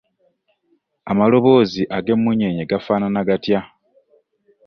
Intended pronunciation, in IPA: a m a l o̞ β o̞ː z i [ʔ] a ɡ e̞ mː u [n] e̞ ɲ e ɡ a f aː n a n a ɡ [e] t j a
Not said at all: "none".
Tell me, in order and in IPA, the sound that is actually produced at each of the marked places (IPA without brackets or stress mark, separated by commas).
ʔ, ɲ, a